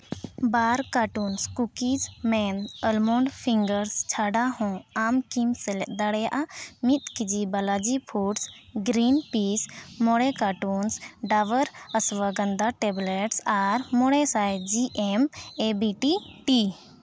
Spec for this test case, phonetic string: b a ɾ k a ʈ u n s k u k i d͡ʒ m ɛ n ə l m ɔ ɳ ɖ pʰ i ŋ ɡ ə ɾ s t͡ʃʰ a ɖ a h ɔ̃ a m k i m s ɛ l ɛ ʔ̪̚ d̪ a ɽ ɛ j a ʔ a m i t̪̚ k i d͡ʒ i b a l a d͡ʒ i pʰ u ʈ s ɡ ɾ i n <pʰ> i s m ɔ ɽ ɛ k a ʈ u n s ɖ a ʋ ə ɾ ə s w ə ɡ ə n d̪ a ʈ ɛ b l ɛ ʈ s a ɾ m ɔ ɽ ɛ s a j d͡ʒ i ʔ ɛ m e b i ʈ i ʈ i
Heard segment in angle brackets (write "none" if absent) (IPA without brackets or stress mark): p